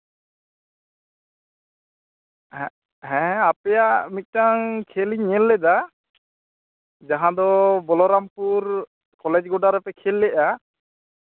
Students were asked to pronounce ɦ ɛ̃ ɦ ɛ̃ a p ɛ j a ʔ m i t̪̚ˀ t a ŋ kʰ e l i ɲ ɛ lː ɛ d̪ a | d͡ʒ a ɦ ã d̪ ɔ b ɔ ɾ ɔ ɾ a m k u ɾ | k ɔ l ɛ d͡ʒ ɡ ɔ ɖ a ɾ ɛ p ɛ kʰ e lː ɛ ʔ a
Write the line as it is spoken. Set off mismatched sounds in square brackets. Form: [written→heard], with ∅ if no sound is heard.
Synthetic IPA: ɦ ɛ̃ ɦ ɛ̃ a p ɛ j a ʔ m i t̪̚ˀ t a ŋ kʰ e l i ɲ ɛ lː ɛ d̪ a | d͡ʒ a ɦ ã d̪ ɔ b ɔ [ɾ→l] ɔ ɾ a m [k→p] u ɾ | k ɔ l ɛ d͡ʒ ɡ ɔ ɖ a ɾ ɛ p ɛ kʰ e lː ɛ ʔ a